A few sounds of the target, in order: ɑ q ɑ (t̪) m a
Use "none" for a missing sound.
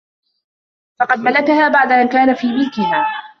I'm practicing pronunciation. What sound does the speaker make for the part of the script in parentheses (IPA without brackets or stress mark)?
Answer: d̪